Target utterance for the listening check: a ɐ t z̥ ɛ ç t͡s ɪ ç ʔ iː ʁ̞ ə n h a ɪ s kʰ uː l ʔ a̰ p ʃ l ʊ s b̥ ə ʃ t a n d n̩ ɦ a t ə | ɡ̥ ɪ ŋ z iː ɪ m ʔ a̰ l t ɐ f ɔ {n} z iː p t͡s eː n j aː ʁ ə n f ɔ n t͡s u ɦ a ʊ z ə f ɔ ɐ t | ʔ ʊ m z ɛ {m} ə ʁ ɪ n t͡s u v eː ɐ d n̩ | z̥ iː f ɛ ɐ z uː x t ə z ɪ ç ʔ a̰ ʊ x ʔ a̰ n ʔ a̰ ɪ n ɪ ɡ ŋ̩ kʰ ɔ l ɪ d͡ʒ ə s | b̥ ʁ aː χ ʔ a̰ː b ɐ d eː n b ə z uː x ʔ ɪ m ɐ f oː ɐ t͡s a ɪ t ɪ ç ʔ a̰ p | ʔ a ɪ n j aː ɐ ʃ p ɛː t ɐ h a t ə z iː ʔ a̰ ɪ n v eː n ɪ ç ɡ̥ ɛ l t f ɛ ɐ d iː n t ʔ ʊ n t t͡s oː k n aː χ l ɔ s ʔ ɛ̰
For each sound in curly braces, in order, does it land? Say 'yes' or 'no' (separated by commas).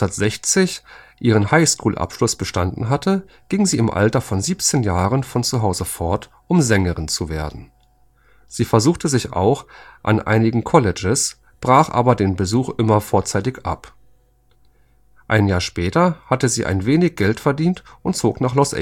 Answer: yes, no